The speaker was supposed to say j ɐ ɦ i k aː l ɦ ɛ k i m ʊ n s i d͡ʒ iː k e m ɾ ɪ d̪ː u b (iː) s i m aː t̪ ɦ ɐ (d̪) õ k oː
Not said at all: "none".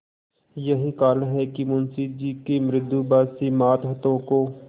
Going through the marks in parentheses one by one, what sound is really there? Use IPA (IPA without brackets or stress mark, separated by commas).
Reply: aː, t̪